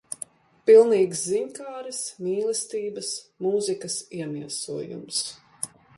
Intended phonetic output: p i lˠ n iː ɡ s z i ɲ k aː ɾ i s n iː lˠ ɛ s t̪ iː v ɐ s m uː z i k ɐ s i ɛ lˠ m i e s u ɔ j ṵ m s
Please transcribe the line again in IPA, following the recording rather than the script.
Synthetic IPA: p i lˠ n iː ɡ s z i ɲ k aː ɾ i s m iː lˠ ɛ s t̪ iː b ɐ s m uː z i k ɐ s i ɛ m i ɛ s u ɔ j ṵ m s

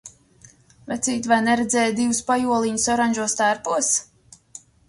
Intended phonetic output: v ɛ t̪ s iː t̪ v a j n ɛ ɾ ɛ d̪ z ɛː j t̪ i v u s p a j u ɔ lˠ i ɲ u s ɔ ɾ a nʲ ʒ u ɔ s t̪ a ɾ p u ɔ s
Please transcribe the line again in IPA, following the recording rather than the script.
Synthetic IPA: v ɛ t̪ s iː t̪ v a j n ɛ ɾ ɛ d̪ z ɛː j d̪ i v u s p a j u ɔ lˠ i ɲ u s ɔ ɾ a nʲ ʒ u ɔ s t̪ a ɾ p u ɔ s

